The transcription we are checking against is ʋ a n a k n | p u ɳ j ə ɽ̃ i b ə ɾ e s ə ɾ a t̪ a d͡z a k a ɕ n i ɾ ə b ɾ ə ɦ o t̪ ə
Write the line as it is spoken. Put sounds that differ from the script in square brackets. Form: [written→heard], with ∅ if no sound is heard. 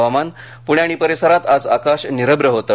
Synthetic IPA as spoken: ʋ a [n→m] a [k→∅] n | p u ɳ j [ə→a] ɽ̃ i [b→p] ə ɾ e s ə ɾ a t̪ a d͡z a k a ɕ n i ɾ ə b ɾ ə ɦ o t̪ ə